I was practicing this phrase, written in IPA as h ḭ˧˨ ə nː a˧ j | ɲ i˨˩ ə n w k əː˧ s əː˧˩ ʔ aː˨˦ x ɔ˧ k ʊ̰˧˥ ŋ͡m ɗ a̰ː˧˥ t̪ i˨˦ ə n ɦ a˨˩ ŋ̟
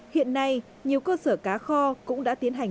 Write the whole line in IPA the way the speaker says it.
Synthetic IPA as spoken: h ḭ˧˨ ə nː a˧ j | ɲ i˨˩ ə w k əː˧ s əː˧˩ k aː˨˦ x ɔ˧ k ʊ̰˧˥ ŋ͡m ɗ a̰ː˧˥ t̪ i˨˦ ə n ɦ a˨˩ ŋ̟